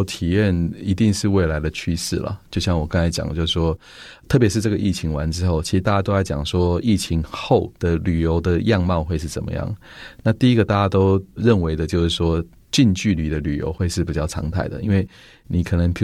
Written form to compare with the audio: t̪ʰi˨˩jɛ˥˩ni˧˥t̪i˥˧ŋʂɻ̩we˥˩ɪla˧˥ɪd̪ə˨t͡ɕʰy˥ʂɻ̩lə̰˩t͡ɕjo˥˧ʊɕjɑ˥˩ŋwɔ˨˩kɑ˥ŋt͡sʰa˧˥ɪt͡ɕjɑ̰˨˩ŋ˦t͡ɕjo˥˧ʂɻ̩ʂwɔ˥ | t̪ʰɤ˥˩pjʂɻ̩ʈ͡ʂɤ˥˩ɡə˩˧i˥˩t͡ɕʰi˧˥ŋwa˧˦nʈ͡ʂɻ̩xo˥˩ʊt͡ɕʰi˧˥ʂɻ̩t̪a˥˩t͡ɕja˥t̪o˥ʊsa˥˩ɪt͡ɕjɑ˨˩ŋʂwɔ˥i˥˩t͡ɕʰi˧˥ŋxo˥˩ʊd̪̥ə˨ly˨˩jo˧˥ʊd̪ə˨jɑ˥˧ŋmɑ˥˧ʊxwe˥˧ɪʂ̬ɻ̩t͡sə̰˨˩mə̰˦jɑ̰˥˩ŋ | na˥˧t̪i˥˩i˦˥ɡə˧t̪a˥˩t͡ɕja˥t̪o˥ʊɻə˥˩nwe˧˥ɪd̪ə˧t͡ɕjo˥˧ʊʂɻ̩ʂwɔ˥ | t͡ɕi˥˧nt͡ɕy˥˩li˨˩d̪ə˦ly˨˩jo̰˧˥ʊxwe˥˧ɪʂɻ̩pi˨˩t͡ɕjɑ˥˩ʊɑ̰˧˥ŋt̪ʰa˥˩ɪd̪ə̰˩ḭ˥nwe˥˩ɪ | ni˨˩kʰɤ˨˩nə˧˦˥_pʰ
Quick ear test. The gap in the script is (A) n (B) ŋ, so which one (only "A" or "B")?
B